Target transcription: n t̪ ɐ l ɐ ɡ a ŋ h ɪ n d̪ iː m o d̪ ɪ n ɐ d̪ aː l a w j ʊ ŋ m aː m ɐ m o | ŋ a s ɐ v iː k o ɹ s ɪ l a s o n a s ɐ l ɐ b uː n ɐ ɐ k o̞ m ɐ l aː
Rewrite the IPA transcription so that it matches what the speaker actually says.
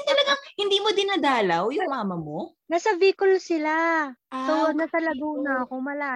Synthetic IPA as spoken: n t̪ ɐ l ɐ ɡ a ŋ h ɪ n d̪ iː m o d̪ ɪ n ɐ d̪ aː l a w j ʊ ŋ m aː m ɐ m o | n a s ɐ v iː k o l s ɪ l a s o n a s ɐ l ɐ ɡ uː n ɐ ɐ k o̞ m ɐ l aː